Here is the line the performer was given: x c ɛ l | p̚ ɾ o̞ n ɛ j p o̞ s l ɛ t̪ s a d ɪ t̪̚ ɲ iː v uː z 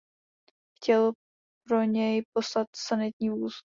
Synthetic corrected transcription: x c ɛ l | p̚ ɾ o̞ ɲ ɛ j p o̞ s l a t̪ s a n ɪ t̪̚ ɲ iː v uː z

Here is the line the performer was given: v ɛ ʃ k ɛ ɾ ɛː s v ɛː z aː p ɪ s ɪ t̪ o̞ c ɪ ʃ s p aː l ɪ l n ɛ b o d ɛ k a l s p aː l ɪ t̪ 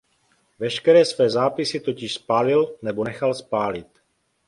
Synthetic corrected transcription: v ɛ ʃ k ɛ ɾ ɛː s v ɛː z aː p ɪ s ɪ t̪ o̞ c ɪ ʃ s p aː l ɪ l n ɛ b o n ɛ x a l s p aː l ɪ t̪

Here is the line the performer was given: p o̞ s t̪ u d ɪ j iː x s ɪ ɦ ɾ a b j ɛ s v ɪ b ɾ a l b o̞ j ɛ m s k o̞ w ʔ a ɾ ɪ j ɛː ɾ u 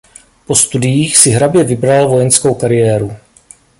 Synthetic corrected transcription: p o̞ s t̪ u d ɪ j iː x s ɪ ɦ ɾ a b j ɛ v ɪ b ɾ a l v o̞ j ɛ n s k o̞ w k a ɾ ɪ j ɛː ɾ u

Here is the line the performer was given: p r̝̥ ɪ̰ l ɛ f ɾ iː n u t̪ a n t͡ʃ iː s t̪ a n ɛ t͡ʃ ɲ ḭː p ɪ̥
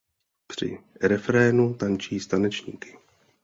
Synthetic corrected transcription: p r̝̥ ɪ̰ ɾ ɛ f ɾ ɛː n u t̪ a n t͡ʃ iː s t̪ a n ɛ t͡ʃ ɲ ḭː k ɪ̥

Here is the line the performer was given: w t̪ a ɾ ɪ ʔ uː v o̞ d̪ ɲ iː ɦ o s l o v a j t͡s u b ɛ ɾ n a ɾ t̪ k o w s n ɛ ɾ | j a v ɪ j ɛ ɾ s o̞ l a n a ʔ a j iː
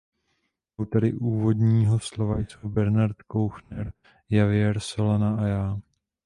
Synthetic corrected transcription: w t̪ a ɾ ɪ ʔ uː v o̞ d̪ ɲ iː ɦ o s l o v a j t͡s u b ɛ ɾ n a ɾ t̪ k o w x n ɛ ɾ | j a v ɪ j ɛ ɾ s o̞ l a n a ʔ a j aː

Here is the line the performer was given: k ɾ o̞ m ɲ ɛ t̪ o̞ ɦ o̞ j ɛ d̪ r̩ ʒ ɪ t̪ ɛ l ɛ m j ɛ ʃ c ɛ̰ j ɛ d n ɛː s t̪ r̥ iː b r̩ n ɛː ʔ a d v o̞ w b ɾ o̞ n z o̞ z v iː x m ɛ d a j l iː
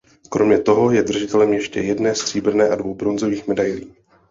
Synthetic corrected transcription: k ɾ o̞ m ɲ ɛ t̪ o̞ ɦ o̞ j ɛ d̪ r̩ ʒ ɪ t̪ ɛ l ɛ m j ɛ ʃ c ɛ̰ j ɛ d n ɛː s t̪ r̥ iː b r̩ n ɛː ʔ a d v o̞ w b ɾ o̞ n z o̞ v iː x m ɛ d a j l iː

